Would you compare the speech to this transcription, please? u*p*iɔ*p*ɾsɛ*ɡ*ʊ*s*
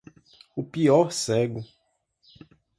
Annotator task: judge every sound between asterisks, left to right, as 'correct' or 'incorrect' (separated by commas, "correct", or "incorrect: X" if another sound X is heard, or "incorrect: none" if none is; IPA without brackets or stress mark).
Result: correct, incorrect: none, correct, incorrect: none